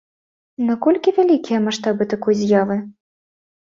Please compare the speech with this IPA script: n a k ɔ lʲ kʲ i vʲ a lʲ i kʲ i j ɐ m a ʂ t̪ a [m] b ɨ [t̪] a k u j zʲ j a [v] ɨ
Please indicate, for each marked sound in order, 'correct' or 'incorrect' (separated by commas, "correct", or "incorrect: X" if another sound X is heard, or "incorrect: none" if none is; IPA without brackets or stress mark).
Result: incorrect: none, correct, correct